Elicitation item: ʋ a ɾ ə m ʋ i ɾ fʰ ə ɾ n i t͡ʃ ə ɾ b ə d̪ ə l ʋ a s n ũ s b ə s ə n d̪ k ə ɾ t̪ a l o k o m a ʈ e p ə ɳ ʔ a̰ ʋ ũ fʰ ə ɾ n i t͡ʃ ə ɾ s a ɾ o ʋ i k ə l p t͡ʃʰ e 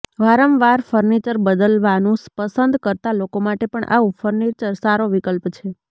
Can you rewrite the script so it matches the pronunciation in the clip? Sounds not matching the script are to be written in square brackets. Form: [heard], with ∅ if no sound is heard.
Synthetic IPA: ʋ a ɾ ə m ʋ [a] ɾ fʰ ə ɾ n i t͡ʃ ə ɾ b ə d̪ ə l ʋ a [∅] n ũ s [p] ə s ə n d̪ k ə ɾ t̪ a l o k o m a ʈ e p ə ɳ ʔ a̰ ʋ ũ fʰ ə ɾ n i t͡ʃ ə ɾ s a ɾ o ʋ i k ə l p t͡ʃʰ e